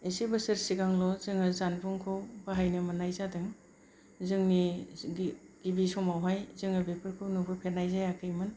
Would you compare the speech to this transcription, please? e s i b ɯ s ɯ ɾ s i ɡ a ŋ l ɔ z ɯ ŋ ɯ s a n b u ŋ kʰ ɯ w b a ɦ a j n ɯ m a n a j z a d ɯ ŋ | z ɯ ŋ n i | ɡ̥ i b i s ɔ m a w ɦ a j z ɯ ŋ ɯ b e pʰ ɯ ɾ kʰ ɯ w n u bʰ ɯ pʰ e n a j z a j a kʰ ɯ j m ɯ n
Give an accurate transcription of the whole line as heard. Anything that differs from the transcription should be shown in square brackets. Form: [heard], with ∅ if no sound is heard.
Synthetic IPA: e s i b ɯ s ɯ ɾ s i ɡ a ŋ l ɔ z ɯ ŋ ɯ [z] a n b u ŋ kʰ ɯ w b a ɦ a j n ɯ m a n a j z a d ɯ ŋ | z ɯ ŋ n i | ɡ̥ i b i s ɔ m a w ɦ a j z ɯ ŋ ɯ b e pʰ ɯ ɾ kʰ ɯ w n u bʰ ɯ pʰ e n a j z a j a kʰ ɯ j m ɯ n